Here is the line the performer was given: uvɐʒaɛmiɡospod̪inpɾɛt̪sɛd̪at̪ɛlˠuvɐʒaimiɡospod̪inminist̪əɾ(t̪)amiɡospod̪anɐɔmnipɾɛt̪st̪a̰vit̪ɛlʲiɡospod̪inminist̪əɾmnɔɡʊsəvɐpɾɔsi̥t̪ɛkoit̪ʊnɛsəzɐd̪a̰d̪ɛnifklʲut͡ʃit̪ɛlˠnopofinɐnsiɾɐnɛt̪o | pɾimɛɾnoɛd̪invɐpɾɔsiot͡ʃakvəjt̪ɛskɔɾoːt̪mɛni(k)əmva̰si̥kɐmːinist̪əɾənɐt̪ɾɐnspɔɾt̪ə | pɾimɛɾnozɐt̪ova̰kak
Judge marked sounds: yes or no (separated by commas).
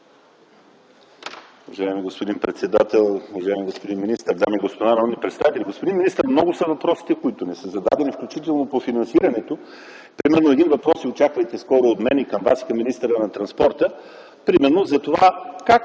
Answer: no, yes